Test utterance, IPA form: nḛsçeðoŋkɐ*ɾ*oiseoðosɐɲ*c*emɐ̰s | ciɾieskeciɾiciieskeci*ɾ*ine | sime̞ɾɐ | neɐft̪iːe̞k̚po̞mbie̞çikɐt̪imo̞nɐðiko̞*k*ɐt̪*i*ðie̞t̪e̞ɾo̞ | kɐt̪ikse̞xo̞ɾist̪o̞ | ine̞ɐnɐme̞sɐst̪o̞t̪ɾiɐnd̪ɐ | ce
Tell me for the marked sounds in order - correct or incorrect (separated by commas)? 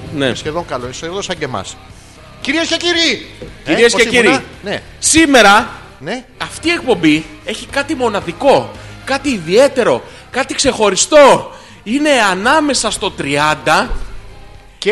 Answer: incorrect, incorrect, correct, correct, incorrect